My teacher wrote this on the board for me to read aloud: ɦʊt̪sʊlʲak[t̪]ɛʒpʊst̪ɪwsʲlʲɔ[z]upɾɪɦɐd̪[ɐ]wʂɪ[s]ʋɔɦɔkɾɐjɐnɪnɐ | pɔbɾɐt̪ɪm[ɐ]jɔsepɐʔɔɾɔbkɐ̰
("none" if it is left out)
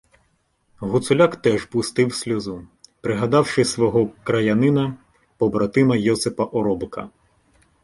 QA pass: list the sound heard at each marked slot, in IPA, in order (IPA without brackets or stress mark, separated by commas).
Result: t̪, z, ɑ, s, ɐ